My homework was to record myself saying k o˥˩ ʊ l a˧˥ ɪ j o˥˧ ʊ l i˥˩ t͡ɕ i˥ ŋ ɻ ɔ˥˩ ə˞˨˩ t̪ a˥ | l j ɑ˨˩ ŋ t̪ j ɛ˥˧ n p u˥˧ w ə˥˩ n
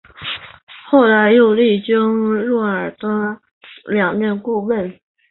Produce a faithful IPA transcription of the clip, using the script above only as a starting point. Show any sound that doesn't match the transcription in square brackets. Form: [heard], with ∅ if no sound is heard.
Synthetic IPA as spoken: [x] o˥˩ ʊ l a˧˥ ɪ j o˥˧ ʊ l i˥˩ t͡ɕ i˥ ŋ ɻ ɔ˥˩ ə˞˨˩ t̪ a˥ | l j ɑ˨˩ ŋ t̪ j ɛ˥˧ n [k] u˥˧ w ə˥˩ n